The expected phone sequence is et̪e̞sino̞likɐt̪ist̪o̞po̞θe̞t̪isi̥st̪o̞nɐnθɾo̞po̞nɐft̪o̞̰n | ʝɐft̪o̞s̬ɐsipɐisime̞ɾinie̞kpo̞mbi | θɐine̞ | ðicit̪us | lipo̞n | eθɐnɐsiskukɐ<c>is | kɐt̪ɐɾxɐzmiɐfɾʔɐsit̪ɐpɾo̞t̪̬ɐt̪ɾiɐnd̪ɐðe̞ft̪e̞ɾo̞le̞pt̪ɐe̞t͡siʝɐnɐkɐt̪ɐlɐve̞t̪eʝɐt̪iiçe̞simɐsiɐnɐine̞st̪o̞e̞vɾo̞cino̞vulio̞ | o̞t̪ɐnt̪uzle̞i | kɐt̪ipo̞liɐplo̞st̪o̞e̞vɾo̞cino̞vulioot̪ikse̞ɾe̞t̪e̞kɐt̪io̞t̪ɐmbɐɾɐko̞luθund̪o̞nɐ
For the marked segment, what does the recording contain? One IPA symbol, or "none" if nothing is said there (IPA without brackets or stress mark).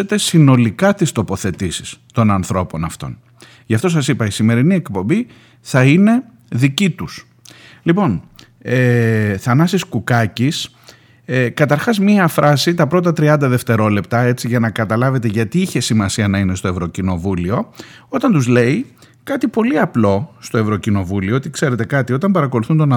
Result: c